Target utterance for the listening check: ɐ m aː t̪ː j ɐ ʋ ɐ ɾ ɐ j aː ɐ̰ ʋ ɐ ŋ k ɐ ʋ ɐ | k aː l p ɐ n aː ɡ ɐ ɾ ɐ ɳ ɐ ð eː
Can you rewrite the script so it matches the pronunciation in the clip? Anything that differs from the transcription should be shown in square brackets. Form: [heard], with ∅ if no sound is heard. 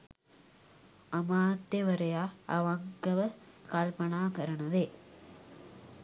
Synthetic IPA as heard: ɐ m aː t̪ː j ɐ ʋ ɐ ɾ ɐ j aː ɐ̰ ʋ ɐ ŋ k ɐ ʋ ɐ | k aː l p ɐ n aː [k] ɐ ɾ ɐ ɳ ɐ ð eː